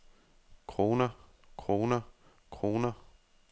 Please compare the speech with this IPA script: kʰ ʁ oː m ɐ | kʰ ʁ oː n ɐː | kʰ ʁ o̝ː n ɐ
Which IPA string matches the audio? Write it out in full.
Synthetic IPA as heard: kʰ ʁ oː n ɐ | kʰ ʁ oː n ɐ | kʰ ʁ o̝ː n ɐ